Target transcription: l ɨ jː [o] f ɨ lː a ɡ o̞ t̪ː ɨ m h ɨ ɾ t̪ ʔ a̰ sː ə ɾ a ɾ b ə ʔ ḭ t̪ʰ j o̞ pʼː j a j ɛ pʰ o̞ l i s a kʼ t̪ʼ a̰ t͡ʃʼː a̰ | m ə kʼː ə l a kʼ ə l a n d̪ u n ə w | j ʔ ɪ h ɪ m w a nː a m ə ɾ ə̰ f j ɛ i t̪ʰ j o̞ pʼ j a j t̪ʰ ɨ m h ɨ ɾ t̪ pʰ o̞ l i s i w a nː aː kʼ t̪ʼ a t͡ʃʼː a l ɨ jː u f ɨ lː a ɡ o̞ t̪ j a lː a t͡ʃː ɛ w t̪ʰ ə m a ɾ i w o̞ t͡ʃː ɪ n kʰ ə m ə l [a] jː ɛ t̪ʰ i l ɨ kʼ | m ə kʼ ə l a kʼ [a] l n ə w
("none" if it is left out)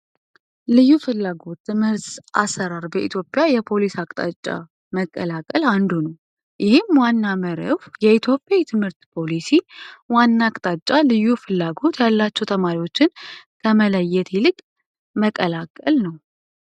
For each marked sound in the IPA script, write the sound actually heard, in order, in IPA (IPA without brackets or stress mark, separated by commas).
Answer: u, ə, ə